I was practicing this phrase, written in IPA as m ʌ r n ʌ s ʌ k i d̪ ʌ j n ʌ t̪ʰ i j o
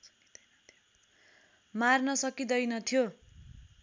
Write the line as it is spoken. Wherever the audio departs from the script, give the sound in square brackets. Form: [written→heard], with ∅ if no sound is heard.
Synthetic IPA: m [ʌ→a] r n ʌ s ʌ k i d̪ ʌ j n ʌ t̪ʰ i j o